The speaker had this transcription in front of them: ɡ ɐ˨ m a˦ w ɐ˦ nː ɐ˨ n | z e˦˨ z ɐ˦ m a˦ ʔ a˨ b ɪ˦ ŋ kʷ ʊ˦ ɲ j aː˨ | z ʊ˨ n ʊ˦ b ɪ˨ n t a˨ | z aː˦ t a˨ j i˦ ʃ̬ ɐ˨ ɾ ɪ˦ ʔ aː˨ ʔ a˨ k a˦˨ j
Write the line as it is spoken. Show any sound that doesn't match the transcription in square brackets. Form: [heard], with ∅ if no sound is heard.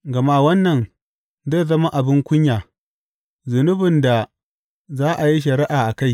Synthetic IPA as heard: ɡ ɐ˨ m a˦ w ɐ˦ nː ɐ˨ n | z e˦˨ z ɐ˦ m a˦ ʔ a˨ b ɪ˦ ŋ kʷ ʊ˦ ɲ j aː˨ | z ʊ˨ n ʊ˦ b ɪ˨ n [d] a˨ | z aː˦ [ʔ] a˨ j i˦ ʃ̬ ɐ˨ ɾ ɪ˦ ʔ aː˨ ʔ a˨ k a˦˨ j